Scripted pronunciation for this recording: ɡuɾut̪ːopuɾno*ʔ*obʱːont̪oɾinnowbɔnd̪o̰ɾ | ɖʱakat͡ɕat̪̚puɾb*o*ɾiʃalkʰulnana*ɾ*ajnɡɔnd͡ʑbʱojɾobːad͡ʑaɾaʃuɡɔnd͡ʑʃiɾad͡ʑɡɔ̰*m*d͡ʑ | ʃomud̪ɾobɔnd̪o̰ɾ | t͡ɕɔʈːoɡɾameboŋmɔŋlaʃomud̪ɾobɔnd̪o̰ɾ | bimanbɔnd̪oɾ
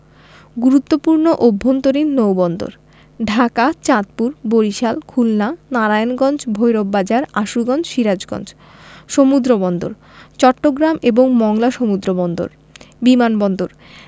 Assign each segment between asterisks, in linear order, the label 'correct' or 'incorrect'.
correct, correct, correct, incorrect

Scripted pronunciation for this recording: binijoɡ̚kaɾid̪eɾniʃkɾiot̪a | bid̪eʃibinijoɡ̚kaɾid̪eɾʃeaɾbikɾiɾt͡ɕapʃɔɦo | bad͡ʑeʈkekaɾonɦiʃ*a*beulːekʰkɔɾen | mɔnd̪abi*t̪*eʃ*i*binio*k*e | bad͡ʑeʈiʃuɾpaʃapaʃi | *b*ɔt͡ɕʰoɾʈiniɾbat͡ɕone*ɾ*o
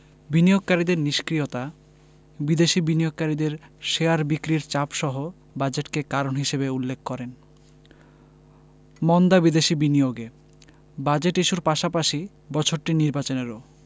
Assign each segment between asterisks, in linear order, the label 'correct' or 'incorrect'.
incorrect, incorrect, correct, incorrect, correct, correct

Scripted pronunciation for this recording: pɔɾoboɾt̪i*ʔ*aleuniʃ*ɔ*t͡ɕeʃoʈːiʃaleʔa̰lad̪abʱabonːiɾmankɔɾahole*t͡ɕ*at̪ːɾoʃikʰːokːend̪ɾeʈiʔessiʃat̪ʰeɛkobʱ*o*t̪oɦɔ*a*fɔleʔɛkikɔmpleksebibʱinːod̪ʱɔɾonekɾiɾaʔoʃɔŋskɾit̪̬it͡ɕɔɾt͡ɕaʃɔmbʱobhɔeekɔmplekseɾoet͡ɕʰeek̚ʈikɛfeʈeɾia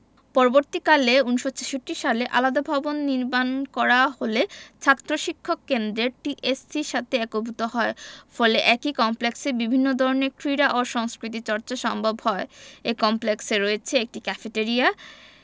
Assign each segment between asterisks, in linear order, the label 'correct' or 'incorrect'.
incorrect, incorrect, incorrect, incorrect, incorrect

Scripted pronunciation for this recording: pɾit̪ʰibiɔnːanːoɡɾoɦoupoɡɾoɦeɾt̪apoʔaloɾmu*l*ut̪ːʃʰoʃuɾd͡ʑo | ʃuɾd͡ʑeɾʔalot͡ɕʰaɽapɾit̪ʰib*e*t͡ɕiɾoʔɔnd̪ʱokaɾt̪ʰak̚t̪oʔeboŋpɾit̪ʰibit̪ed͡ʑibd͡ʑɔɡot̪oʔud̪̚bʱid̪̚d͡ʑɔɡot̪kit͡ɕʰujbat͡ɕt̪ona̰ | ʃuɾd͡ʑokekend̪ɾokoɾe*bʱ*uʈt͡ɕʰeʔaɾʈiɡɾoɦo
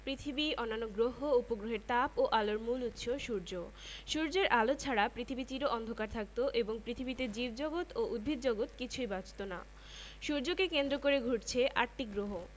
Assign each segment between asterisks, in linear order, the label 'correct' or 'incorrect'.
correct, incorrect, incorrect

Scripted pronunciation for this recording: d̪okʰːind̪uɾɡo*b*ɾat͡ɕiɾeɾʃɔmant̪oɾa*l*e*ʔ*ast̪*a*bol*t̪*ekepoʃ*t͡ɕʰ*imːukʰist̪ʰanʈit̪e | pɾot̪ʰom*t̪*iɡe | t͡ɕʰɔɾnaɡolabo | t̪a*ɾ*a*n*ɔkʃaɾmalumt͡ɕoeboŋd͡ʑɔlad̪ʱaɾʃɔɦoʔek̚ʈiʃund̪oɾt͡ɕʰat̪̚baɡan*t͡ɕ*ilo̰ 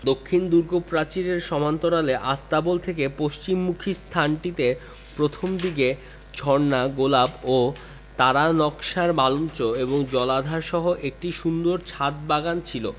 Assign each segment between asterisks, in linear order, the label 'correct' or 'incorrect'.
incorrect, correct, correct, correct, incorrect, incorrect, incorrect, correct, correct, incorrect

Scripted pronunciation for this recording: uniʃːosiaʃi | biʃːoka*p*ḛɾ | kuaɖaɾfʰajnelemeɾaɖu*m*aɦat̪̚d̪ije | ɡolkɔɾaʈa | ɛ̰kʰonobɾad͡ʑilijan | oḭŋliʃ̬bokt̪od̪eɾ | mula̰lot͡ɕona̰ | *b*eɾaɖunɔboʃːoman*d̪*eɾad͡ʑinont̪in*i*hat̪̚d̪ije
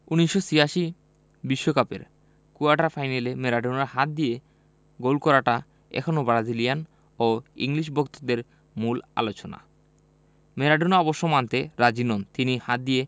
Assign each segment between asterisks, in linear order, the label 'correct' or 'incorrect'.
correct, incorrect, incorrect, incorrect, correct

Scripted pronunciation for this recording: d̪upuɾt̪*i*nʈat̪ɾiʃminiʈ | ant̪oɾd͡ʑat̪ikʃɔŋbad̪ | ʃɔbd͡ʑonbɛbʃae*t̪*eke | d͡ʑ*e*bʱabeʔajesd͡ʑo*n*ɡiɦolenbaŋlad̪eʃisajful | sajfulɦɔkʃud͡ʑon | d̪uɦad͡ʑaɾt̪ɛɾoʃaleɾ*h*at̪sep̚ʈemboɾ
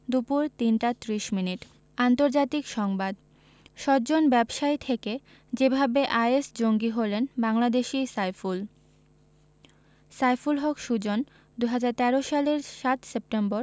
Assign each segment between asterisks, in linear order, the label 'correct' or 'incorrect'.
correct, incorrect, correct, incorrect, incorrect

